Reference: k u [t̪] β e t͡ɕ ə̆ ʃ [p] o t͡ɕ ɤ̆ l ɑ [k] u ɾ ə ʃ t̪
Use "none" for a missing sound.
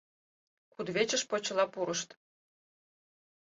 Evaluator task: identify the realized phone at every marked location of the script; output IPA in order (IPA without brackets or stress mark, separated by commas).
d̪, p, p